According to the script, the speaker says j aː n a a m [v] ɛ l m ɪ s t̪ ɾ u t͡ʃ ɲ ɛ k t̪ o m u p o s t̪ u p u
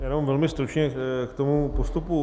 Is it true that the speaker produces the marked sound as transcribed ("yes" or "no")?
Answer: yes